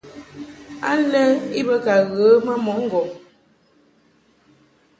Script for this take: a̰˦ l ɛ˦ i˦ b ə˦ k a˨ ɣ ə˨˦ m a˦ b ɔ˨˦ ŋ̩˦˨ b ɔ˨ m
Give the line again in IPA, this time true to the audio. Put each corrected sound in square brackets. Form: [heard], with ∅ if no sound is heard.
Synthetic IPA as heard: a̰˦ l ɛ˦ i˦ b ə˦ k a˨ ɣ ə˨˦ m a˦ [m] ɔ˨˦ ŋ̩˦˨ [ɡ] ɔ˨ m

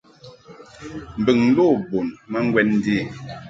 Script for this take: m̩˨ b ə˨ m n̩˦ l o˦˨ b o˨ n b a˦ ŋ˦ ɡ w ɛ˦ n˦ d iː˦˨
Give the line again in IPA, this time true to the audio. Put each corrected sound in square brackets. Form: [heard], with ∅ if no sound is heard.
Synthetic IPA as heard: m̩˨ b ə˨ [ŋ] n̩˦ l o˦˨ b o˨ n [m] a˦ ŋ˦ ɡ w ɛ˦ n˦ d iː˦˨

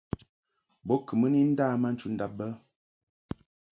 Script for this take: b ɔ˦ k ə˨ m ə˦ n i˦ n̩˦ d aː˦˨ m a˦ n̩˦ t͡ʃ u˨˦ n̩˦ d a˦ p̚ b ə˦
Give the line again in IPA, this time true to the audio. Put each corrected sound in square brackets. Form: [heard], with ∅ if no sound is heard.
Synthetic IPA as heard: b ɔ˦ k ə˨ m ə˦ n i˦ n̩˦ d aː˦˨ m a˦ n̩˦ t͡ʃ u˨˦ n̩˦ d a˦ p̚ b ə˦

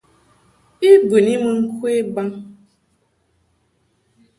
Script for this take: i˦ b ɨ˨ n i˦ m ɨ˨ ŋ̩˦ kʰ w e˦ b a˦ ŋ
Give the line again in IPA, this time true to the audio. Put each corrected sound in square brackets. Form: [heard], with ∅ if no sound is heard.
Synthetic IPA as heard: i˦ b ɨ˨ n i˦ m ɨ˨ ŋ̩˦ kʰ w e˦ b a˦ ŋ

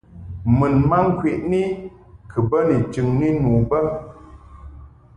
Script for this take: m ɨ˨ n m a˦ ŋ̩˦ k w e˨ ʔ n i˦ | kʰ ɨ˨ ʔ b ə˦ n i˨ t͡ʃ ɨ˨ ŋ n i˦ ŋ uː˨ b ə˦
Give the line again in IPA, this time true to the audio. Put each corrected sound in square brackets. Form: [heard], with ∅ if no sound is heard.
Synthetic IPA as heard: m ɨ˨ n m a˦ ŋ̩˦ k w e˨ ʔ n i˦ | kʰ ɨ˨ [∅] b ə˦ n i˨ t͡ʃ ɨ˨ ŋ n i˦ [n] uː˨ b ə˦

